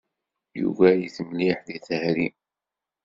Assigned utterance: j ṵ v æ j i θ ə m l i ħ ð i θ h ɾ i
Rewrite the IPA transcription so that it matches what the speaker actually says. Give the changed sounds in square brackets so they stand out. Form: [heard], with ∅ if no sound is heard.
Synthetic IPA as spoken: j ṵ v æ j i θ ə m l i ħ ð i θ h ɾ i